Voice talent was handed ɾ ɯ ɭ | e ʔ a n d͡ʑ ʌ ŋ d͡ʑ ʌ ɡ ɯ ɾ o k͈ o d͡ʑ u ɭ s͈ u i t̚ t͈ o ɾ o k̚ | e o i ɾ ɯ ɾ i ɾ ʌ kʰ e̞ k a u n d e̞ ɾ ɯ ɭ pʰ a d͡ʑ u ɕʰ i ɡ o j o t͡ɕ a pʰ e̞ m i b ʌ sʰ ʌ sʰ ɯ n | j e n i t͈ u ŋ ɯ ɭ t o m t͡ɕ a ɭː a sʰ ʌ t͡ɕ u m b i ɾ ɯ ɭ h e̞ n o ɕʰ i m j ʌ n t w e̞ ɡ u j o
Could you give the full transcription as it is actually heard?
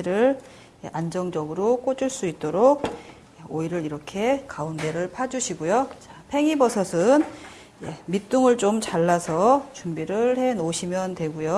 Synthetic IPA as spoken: ɾ ɯ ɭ | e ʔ a n d͡ʑ ʌ ŋ d͡ʑ ʌ ɡ ɯ ɾ o k͈ o d͡ʑ u ɭ s͈ u i t̚ t͈ o ɾ o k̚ | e o i ɾ ɯ ɾ i ɾ ʌ kʰ e̞ k a u n d e̞ ɾ ɯ ɭ pʰ a d͡ʑ u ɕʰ i ɡ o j o t͡ɕ a pʰ e̞ ŋ i b ʌ sʰ ʌ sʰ ɯ n | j e m i t͈ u ŋ ɯ ɭ t͡ɕ o m t͡ɕ a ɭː a sʰ ʌ t͡ɕ u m b i ɾ ɯ ɭ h e̞ n o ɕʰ i m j ʌ n t w e̞ ɡ u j o